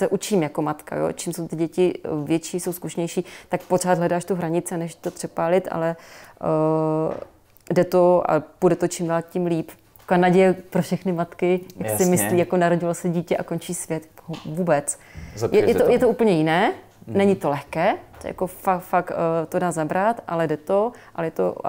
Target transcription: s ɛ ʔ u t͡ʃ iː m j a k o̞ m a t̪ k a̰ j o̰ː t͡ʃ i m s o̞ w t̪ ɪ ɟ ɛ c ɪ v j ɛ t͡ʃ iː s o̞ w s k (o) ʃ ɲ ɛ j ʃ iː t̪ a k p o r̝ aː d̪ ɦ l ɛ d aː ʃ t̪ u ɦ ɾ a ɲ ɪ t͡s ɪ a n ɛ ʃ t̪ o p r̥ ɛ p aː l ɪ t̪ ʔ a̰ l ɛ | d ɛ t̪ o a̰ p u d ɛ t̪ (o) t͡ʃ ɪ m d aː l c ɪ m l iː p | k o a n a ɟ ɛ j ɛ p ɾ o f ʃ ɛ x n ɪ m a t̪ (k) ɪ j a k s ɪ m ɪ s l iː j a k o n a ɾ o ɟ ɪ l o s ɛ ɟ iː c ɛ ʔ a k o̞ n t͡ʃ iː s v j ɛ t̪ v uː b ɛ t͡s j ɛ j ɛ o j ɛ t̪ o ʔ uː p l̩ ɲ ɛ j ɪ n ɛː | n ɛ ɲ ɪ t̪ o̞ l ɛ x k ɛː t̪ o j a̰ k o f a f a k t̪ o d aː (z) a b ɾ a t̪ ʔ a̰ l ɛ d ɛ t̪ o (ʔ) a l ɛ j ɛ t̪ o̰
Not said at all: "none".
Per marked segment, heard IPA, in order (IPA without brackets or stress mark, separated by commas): u, o, k, z, ʔ